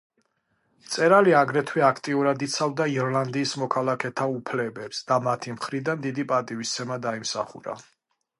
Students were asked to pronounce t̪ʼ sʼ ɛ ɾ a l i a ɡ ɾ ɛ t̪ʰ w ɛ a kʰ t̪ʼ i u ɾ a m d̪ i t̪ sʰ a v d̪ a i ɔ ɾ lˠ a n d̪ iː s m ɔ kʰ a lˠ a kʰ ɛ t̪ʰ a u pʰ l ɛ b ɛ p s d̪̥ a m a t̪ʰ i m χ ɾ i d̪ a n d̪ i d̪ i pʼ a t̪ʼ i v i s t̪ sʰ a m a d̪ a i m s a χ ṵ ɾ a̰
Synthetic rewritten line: t̪ sʼ ɛ ɾ a l i a ɡ ɾ ɛ t̪ʰ w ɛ a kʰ t̪ʼ i u ɾ a d̪ i t̪ sʰ a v d̪ a i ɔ ɾ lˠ a n d̪ iː s m ɔ kʰ a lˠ a kʰ ɛ t̪ʰ a u pʰ l ɛ b ɛ p s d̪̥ a m a t̪ʰ i m χ ɾ i d̪ a n d̪ i d̪ i pʼ a t̪ʼ i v i s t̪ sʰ ɛ m a d̪ a i m s a χ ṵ ɾ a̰